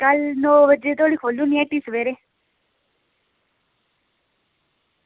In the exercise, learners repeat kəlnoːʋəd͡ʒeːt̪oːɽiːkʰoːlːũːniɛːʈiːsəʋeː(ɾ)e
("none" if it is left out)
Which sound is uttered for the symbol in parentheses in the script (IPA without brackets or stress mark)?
ɾ